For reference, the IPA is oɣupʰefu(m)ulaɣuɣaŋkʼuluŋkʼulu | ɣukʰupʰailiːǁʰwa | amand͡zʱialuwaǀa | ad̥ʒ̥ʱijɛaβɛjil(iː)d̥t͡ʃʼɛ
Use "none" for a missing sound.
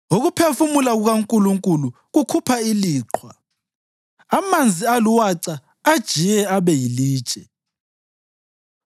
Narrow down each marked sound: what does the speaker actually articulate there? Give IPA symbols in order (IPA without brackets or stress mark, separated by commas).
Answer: m, iː